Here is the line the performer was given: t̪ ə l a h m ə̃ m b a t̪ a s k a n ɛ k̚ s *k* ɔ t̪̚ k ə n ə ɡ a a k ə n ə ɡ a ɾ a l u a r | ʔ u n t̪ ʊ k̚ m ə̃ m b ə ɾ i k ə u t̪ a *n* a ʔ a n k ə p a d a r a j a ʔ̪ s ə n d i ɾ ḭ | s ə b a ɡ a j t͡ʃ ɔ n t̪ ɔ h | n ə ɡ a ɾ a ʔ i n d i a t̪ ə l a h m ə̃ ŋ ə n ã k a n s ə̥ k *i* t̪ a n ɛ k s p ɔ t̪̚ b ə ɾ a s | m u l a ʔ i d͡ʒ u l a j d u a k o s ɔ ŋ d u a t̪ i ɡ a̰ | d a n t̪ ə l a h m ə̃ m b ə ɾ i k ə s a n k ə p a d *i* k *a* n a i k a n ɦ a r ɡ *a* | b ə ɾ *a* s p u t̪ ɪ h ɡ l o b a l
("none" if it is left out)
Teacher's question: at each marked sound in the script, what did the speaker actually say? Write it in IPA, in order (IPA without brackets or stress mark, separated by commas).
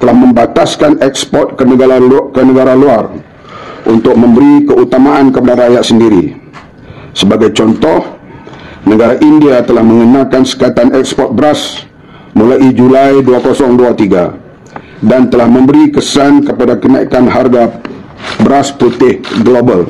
p, m, a, a, ə, a, a